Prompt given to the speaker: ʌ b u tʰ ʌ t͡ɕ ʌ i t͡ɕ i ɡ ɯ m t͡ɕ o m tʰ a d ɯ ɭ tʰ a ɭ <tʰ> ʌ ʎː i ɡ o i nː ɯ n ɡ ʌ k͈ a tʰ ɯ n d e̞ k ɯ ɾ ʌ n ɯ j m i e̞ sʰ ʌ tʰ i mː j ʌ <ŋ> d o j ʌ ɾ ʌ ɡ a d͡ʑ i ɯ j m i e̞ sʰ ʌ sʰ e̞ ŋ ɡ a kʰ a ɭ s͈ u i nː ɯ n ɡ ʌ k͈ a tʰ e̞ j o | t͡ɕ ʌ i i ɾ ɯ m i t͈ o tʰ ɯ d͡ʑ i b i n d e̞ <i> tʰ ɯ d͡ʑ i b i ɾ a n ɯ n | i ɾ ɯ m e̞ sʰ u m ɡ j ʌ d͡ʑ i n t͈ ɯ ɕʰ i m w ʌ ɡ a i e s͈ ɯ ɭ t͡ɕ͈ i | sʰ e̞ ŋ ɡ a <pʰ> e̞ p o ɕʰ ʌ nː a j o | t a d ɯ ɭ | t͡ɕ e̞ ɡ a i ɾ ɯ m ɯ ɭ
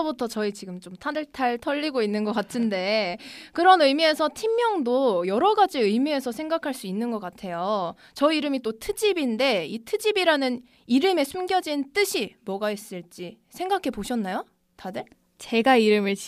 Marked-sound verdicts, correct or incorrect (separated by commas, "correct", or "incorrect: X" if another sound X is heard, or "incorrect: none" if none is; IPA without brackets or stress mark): correct, correct, correct, incorrect: kʰ